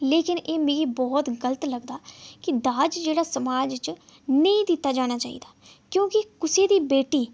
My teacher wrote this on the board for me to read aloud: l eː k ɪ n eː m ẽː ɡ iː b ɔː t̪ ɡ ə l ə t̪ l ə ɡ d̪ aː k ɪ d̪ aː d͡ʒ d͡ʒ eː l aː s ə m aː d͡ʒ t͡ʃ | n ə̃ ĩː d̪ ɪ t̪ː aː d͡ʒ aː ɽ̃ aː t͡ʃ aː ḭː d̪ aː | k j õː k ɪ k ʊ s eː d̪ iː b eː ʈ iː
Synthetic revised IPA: l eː k ɪ n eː m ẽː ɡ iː b ɔː t̪ ɡ ə l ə t̪ l ə ɡ d̪ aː k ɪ d̪ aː d͡ʒ d͡ʒ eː ɽ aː s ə m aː d͡ʒ t͡ʃ | n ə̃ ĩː d̪ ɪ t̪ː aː d͡ʒ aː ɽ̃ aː t͡ʃ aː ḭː d̪ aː | k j õː k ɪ k ʊ s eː d̪ iː b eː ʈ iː